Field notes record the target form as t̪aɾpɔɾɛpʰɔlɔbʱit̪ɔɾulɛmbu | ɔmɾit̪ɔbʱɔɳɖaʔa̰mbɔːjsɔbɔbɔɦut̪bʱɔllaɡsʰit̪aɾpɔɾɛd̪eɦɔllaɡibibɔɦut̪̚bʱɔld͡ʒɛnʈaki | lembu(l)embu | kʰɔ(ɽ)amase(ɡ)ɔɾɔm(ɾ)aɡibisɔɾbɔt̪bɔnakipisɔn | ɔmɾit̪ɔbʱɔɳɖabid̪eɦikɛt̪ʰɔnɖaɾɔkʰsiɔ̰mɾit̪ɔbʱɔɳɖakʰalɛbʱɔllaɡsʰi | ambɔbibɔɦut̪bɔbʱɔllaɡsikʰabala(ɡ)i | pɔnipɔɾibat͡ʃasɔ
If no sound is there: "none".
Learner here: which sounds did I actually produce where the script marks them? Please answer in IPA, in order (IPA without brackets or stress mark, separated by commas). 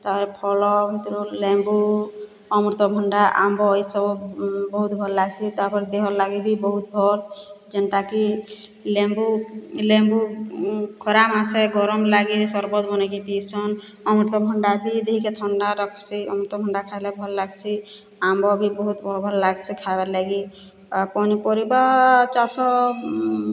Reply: l, ɾ, ɡ, l, ɡ